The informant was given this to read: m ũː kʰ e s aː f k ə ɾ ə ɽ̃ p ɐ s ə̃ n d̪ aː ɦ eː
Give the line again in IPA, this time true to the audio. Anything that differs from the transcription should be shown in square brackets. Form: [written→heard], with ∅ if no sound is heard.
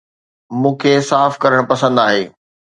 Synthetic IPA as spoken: m ũː kʰ e s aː f k [ə→ɐ] ɾ ə ɽ̃ p ɐ s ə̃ n d̪ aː ɦ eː